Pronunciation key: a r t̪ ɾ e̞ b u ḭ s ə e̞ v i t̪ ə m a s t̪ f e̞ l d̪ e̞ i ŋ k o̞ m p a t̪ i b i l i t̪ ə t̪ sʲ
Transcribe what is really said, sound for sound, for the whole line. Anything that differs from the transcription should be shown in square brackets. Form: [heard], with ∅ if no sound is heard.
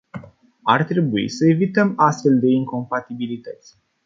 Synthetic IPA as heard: a r t̪ ɾ e̞ b u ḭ s ə e̞ v i t̪ ə m a s t̪ f e̞ l d̪ e̞ i ŋ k o̞ m p a t̪ i b i l i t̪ ə t̪ sʲ